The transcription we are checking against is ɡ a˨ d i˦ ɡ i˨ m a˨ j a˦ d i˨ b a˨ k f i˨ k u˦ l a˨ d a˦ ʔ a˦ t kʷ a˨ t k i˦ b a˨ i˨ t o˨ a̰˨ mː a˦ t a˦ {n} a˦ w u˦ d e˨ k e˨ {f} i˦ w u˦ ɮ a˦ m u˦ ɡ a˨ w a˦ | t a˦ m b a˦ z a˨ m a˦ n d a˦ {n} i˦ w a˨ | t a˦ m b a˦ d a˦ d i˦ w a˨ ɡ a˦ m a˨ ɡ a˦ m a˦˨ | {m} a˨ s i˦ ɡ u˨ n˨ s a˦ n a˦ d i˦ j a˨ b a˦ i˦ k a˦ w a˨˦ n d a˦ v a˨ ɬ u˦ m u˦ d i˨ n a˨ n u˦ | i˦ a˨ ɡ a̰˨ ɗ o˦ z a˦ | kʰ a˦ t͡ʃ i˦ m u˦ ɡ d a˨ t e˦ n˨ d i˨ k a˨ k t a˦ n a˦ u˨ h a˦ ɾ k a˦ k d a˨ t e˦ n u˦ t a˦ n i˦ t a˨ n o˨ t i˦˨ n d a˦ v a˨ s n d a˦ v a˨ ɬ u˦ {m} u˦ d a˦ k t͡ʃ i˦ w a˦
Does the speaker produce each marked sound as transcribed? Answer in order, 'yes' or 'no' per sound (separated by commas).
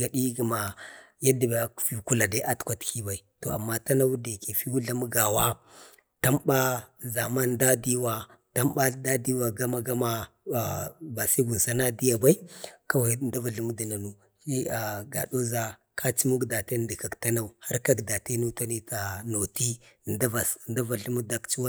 yes, yes, no, no, yes